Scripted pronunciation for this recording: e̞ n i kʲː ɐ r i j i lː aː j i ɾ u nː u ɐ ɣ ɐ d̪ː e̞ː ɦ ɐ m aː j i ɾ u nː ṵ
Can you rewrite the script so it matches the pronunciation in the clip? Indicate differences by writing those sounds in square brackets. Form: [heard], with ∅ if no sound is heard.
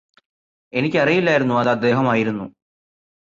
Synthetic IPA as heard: e̞ n i kʲː ɐ r i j i lː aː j i ɾ u nː u ɐ [ð] ɐ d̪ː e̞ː ɦ ɐ m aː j i ɾ u nː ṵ